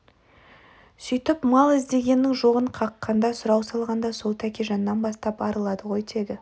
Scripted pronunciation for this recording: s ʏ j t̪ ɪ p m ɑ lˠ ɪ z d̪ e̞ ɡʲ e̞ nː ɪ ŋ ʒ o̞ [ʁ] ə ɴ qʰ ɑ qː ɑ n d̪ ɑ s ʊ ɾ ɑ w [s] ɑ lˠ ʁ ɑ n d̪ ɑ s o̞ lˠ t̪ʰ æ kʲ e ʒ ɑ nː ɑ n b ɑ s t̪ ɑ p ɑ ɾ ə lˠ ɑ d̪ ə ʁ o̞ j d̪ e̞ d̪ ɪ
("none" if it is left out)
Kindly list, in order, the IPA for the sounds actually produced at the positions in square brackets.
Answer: ʁ, s

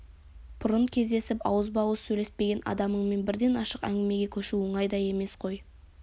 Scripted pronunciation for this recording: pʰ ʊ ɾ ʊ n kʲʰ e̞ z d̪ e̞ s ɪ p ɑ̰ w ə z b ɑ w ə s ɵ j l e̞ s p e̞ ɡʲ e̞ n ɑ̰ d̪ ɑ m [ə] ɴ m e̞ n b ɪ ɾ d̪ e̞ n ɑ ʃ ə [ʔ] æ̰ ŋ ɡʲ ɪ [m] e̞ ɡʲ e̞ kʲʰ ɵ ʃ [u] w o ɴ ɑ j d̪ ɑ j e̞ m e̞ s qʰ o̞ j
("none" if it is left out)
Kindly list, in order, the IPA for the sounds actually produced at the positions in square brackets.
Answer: ə, q, m, u

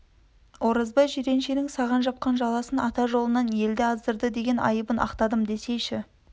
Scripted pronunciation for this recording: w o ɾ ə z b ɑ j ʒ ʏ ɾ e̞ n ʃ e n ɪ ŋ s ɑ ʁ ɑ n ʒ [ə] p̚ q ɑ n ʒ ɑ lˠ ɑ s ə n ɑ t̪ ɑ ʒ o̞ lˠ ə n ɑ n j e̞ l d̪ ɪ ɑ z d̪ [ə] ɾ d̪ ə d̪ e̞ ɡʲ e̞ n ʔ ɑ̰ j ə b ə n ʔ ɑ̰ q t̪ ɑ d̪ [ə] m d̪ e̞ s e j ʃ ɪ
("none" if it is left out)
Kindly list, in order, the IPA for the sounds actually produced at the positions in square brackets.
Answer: ɑ, ə, ə

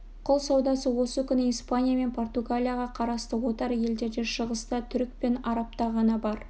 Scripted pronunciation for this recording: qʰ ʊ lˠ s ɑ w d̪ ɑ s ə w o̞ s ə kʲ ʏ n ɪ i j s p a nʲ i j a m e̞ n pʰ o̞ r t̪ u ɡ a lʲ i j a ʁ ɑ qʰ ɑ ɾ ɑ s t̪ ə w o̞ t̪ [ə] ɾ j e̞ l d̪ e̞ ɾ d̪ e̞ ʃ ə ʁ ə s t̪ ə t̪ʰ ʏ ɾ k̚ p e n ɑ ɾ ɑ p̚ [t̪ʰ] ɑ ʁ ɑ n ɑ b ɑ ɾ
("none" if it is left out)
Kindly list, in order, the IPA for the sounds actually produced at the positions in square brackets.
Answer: ɑ, t̪

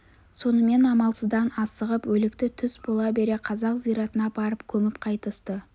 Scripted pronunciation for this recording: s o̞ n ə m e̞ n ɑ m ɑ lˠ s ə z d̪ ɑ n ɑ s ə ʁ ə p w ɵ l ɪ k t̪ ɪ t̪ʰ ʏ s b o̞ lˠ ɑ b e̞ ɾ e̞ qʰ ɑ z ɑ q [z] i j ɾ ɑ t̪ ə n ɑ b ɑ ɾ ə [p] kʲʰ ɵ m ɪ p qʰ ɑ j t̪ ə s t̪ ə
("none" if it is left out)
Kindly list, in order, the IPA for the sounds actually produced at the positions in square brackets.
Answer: z, p

